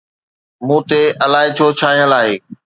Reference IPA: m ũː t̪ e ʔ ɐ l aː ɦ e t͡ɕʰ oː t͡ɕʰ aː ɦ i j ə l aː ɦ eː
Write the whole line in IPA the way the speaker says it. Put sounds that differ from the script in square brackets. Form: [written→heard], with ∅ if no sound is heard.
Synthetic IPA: m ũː t̪ e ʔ ɐ l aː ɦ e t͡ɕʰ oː t͡ɕʰ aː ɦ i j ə l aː ɦ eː